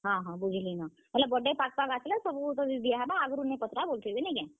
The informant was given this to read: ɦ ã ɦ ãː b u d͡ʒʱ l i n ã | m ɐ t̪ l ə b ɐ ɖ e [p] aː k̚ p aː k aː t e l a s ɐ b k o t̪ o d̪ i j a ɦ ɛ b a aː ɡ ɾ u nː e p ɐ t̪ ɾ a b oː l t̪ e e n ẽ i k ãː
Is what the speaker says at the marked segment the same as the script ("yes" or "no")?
yes